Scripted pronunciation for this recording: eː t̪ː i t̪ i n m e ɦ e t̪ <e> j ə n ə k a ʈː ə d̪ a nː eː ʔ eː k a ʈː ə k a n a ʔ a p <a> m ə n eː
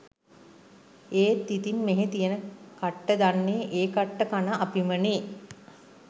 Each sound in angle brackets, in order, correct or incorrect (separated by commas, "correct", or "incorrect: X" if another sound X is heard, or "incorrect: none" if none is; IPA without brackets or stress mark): incorrect: i, incorrect: i